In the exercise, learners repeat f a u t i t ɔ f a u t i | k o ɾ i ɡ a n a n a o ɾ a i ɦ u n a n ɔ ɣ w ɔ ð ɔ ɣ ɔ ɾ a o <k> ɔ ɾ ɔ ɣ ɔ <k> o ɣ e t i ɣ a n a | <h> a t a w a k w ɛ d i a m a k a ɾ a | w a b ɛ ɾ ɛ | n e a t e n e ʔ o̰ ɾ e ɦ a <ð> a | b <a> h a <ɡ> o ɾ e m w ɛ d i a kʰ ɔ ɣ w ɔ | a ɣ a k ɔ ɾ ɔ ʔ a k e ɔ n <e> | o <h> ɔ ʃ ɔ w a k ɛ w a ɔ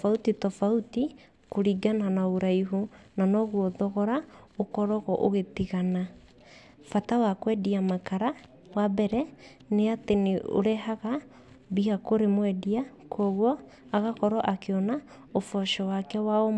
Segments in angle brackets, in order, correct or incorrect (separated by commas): correct, incorrect, incorrect, incorrect, incorrect, incorrect, incorrect, incorrect